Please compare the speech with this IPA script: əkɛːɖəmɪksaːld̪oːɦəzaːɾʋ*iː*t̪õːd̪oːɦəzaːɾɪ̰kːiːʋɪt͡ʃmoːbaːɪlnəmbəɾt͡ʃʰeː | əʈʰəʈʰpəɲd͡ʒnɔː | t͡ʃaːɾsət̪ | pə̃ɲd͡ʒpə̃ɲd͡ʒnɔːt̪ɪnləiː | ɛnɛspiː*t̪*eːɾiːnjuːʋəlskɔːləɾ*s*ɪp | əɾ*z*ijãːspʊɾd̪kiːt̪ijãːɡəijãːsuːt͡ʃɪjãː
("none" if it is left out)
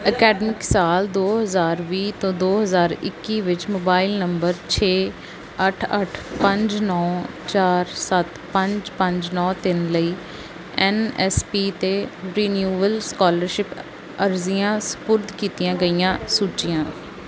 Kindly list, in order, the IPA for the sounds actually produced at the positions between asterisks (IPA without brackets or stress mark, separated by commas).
iː, t̪, ʃ, z